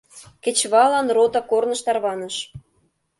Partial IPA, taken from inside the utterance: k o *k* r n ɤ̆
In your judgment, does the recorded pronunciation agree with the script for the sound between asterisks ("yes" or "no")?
no